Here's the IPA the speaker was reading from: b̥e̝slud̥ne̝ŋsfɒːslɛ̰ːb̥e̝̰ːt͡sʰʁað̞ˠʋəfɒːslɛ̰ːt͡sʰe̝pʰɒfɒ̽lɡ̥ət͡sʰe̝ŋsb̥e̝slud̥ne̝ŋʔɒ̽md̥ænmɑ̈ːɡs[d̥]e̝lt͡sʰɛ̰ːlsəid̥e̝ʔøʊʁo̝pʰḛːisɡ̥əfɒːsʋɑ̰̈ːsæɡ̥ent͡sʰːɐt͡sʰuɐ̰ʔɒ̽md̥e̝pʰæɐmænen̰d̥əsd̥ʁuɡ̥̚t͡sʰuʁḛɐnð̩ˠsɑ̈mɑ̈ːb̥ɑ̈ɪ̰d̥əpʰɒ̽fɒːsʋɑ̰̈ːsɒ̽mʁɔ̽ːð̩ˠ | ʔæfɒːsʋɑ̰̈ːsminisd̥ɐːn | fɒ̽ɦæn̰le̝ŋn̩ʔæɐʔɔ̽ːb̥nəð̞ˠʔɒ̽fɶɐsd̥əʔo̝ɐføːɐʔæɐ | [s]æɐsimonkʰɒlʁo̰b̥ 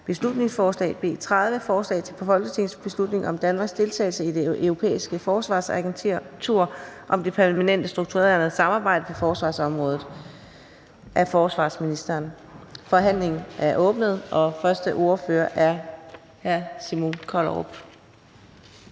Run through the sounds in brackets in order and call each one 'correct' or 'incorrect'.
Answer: correct, incorrect

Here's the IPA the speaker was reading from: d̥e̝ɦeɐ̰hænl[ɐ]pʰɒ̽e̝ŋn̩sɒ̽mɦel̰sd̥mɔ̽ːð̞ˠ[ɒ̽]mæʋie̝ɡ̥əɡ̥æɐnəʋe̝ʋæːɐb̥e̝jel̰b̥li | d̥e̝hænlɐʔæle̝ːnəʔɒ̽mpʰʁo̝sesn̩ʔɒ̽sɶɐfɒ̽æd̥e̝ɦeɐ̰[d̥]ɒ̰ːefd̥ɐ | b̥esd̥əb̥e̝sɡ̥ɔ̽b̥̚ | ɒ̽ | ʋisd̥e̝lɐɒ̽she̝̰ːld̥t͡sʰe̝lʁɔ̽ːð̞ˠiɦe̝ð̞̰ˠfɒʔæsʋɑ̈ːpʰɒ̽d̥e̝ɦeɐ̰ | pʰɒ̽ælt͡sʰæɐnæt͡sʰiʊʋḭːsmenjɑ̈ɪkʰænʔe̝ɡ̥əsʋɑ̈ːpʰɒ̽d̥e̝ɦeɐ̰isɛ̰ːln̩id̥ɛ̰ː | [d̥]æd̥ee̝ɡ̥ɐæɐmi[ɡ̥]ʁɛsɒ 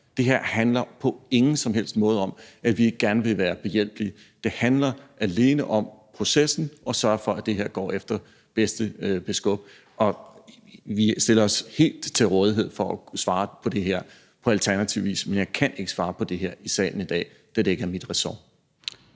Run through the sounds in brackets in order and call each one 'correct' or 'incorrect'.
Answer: correct, correct, incorrect, correct, incorrect

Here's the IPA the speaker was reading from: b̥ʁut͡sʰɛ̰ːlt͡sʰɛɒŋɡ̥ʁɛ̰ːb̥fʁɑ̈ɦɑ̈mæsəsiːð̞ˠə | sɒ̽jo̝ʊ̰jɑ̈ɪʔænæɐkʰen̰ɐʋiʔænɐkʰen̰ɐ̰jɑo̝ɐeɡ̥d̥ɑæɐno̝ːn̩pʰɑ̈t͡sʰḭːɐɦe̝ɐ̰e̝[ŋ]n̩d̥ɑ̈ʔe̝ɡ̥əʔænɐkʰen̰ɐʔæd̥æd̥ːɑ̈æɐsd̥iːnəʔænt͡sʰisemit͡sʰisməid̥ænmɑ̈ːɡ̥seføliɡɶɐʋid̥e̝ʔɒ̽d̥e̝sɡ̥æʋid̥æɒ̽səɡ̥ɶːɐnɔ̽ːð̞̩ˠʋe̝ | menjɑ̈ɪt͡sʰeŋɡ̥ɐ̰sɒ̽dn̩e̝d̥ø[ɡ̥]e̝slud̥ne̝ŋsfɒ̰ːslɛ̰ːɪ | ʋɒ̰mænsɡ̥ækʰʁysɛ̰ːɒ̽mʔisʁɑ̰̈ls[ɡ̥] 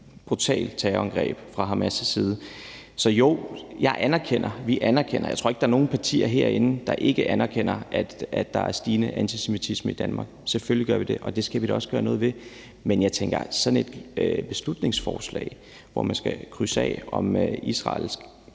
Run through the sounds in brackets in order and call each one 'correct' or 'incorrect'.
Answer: incorrect, incorrect, correct

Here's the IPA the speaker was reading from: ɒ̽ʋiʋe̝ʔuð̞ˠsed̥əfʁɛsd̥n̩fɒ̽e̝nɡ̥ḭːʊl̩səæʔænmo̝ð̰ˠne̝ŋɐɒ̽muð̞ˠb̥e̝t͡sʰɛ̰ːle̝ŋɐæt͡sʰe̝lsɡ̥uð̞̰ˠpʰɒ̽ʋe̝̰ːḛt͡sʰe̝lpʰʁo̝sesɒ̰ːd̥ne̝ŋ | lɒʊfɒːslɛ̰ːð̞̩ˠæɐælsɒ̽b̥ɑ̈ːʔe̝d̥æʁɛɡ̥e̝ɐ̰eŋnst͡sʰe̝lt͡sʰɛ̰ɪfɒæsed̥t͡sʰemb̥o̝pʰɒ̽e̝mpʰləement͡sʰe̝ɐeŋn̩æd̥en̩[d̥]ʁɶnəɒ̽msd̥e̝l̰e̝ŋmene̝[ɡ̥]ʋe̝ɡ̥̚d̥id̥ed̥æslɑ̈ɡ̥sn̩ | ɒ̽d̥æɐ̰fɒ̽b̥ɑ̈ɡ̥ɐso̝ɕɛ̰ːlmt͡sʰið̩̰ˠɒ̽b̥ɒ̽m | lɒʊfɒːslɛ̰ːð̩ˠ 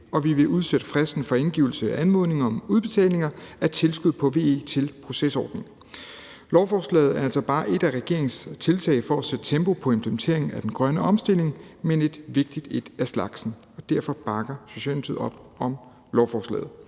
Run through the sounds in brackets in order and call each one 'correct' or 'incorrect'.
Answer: incorrect, incorrect

